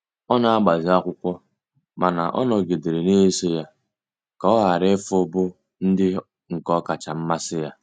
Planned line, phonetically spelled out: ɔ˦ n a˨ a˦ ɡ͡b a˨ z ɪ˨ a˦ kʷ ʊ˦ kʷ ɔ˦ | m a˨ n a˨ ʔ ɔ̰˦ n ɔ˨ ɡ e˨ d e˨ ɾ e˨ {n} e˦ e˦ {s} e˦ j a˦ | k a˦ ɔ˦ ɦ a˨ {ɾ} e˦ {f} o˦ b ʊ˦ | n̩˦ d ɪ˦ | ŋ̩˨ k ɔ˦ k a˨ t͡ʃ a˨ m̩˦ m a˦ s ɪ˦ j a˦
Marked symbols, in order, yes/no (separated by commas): yes, yes, yes, yes